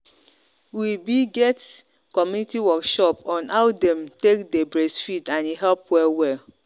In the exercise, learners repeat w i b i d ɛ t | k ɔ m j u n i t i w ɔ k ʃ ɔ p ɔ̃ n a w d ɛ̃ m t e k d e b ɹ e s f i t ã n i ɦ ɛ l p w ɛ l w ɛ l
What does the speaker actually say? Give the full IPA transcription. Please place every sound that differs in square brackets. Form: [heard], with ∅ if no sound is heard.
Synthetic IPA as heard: w i b i [ɡ] ɛ t | k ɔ m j u n i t i w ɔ k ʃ ɔ p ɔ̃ n a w d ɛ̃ m t e k d e b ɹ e s f i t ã n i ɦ ɛ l p w ɛ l w ɛ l